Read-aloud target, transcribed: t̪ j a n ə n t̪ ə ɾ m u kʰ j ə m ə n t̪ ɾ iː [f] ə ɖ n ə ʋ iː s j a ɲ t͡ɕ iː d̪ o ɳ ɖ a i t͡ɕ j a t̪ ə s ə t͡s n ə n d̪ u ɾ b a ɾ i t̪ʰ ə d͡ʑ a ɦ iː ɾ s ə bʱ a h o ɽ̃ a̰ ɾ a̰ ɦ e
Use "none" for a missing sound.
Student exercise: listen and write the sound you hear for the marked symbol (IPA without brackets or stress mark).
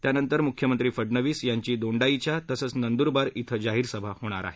f